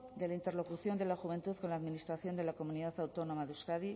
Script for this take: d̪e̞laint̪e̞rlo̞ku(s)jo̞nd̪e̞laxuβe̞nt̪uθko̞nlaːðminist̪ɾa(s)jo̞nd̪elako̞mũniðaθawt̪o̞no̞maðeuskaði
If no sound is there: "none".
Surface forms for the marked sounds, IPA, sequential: θ, θ

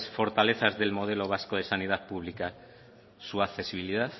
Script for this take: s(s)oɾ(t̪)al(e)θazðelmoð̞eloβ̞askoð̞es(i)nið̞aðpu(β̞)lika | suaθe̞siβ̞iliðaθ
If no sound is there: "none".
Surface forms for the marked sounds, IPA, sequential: f, t̪, e, a, β̞

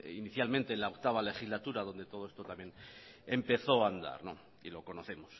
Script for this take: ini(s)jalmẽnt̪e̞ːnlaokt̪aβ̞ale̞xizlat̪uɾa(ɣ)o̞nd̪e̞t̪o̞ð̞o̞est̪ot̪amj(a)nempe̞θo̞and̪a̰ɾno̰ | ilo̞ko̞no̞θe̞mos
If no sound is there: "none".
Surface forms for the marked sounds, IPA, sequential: θ, ð, e

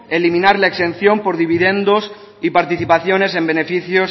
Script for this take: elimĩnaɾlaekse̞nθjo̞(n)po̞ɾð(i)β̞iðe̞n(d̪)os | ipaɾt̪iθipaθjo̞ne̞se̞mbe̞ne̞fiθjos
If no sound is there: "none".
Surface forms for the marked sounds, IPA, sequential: m, i, d̪

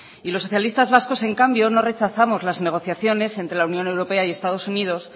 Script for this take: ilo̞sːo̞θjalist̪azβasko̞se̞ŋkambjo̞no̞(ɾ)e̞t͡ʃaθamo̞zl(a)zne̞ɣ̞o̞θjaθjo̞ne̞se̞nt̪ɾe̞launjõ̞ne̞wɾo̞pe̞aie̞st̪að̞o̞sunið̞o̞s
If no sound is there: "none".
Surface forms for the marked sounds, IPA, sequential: r, a

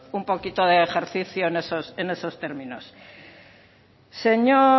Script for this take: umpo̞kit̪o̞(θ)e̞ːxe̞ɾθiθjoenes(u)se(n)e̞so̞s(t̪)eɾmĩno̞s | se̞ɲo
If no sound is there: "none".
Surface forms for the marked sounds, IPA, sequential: ð, o, n, t̪

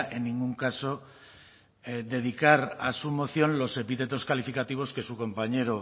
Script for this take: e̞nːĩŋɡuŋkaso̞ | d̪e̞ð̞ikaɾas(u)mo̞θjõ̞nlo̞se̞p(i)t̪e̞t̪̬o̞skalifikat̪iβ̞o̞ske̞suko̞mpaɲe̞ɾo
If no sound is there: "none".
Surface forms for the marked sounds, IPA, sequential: u, i

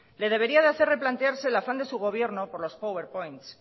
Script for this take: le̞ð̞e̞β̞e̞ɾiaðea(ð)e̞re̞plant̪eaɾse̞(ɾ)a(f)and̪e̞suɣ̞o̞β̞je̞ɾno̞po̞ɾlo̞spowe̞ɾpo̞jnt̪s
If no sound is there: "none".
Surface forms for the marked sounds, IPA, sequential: θ, l, f

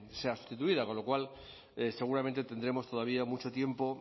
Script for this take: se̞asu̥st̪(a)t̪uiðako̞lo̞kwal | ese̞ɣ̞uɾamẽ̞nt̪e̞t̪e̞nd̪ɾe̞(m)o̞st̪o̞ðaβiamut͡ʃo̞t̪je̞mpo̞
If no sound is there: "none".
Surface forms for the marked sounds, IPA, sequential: i, m

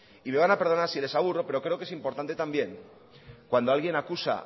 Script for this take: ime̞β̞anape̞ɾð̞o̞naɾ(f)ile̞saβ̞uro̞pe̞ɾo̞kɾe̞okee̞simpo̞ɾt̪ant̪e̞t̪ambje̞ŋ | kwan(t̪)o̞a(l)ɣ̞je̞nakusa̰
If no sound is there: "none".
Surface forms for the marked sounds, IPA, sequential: s, d̪, l

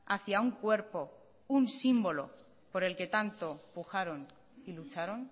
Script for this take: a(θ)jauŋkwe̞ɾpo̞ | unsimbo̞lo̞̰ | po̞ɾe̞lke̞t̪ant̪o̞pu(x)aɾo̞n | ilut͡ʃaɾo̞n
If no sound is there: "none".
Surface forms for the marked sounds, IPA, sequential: θ, x

